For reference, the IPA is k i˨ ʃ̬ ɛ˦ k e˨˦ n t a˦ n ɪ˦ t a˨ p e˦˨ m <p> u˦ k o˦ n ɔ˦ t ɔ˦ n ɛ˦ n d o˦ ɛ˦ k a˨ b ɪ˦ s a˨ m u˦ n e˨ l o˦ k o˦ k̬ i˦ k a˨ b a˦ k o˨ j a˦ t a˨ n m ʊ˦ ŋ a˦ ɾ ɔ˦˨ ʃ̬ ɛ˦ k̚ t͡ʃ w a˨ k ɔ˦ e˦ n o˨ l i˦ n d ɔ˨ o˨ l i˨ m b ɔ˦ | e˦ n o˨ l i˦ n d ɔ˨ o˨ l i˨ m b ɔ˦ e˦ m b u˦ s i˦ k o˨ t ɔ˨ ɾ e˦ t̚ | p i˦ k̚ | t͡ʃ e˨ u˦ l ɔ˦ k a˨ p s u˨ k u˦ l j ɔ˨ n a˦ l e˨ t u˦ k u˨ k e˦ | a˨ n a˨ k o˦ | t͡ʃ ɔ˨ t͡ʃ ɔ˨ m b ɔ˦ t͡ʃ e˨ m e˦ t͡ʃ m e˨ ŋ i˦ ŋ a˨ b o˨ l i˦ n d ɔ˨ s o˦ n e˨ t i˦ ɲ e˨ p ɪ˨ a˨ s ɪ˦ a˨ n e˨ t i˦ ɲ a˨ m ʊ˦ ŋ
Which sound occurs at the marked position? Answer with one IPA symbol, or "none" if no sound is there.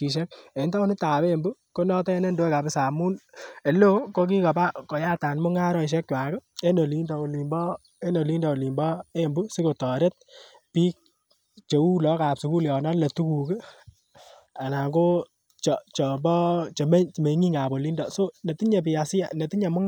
b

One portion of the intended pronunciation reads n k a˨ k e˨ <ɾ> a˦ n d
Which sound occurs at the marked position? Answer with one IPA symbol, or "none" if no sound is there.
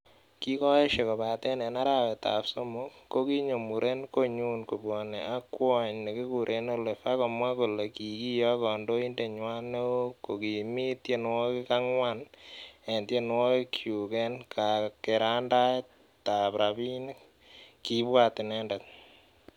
ɾ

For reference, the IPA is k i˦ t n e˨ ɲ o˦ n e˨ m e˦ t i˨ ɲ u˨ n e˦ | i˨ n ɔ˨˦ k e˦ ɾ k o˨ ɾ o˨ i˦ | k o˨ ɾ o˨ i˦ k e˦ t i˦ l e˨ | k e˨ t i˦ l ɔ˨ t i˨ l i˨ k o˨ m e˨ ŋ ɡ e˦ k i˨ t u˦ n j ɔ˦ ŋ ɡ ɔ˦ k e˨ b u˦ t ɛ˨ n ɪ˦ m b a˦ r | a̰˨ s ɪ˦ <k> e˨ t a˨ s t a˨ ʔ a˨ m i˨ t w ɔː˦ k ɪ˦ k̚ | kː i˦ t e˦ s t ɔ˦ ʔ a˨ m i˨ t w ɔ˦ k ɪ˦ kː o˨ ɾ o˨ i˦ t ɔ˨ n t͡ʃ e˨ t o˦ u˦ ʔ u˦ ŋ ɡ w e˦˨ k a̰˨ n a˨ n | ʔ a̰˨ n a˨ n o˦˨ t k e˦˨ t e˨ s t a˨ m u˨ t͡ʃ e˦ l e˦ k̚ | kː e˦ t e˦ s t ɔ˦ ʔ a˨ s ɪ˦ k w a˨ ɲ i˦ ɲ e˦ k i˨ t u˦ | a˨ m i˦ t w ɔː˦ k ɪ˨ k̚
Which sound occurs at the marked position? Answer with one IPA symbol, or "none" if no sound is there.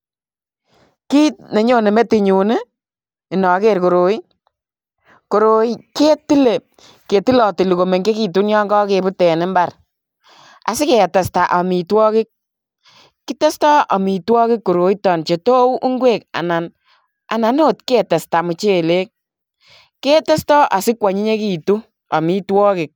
k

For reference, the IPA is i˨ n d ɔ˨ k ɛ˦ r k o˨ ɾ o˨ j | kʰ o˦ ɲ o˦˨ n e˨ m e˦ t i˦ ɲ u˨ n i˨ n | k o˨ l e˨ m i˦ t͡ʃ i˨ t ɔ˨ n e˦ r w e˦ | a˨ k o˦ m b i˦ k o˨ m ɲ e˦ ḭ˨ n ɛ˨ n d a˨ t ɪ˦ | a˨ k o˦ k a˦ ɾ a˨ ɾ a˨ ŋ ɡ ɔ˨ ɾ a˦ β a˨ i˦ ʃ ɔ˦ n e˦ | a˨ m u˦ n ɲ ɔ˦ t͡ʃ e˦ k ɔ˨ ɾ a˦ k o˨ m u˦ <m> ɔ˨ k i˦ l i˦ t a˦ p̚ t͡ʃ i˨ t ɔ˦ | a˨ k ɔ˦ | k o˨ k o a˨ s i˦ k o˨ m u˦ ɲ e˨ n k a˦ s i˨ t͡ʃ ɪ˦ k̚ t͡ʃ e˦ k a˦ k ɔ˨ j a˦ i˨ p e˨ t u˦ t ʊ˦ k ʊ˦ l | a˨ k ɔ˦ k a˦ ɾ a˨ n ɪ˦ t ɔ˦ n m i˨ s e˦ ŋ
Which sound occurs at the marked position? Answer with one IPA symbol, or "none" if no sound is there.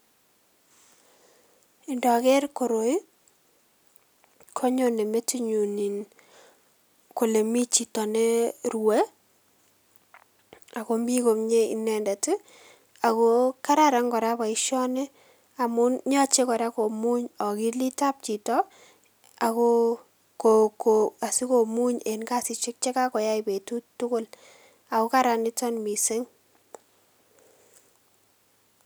ɲ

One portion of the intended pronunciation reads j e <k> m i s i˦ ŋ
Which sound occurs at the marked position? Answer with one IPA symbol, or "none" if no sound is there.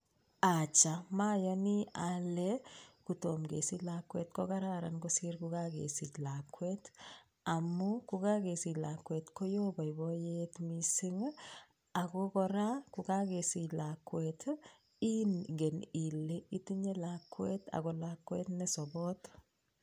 t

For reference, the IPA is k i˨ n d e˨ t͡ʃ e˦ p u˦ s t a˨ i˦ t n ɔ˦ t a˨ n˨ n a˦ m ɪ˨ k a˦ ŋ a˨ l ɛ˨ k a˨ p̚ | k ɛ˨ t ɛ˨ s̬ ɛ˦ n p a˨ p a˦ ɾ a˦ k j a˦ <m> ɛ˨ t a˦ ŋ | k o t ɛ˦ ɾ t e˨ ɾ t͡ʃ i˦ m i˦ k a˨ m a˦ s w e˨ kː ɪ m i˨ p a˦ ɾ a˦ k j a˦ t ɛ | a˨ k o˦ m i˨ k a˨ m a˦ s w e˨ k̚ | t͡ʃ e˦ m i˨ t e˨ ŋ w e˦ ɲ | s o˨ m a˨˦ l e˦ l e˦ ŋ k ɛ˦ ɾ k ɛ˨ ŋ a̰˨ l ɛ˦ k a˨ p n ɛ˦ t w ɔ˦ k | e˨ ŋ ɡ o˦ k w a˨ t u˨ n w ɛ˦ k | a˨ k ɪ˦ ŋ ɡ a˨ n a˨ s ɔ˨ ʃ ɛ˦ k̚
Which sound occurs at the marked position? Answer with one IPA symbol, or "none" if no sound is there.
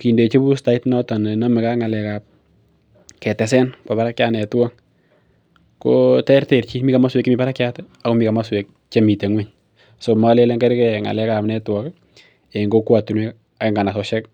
n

